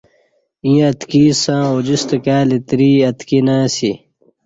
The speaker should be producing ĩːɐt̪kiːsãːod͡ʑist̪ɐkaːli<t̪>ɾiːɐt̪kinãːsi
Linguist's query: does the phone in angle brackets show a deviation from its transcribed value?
no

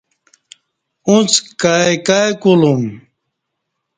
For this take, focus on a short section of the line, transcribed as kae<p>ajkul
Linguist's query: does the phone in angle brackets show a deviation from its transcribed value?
yes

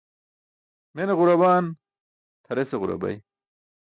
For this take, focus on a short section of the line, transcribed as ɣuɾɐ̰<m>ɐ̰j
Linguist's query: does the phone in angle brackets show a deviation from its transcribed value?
yes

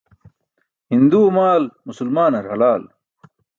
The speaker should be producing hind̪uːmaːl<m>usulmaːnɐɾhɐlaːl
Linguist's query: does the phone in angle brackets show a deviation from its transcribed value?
no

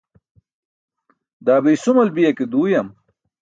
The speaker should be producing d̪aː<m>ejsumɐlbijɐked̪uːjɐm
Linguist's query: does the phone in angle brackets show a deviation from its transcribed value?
yes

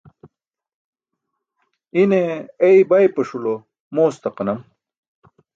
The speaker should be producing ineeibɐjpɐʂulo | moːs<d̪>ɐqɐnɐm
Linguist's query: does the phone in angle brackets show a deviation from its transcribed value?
yes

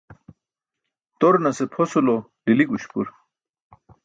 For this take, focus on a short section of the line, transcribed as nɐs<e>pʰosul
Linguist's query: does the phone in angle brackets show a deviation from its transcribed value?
no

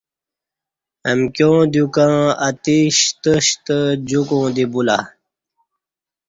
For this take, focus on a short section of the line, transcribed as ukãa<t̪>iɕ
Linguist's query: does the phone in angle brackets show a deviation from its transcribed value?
no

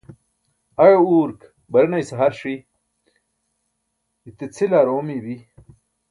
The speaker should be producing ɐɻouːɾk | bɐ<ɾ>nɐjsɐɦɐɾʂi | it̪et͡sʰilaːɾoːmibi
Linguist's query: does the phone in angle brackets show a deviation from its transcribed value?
no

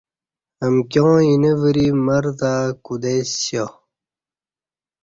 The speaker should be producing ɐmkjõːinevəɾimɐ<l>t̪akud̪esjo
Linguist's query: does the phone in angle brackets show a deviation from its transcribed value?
yes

